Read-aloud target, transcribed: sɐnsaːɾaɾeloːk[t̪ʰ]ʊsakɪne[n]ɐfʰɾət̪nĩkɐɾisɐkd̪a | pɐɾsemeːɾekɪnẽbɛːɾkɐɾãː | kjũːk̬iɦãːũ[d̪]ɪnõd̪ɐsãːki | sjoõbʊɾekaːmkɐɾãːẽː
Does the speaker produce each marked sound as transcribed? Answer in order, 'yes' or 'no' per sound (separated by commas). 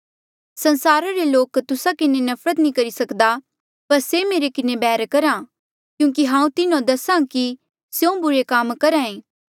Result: no, yes, no